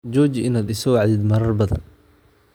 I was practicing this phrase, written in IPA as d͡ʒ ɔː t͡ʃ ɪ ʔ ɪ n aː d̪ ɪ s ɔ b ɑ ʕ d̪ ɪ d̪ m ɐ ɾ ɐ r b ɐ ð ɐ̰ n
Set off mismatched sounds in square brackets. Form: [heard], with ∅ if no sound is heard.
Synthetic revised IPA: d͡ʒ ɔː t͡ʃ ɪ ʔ ɪ n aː d̪ ɪ s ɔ [w] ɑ ʕ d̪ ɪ d̪ m ɐ ɾ ɐ r b ɐ ð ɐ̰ n